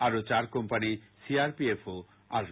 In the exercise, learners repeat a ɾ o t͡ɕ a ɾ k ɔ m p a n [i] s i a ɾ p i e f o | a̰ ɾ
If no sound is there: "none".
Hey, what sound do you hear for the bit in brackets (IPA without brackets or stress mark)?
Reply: i